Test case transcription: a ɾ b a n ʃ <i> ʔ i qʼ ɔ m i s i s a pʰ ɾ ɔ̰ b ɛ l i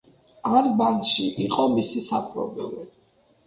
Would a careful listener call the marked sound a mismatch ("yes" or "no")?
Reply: no